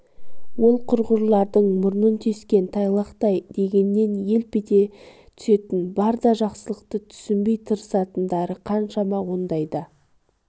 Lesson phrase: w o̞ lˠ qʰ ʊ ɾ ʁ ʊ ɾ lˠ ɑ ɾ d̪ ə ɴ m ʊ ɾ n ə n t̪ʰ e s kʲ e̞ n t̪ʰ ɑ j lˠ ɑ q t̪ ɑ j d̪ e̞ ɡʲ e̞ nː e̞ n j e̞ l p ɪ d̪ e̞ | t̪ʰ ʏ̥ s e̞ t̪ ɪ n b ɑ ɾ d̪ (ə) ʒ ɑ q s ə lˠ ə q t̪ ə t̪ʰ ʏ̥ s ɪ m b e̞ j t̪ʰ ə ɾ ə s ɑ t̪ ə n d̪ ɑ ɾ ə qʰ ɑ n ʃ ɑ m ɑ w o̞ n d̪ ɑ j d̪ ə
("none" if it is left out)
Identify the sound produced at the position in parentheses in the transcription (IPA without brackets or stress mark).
ɑ